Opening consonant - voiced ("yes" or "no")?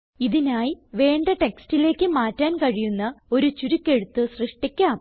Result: yes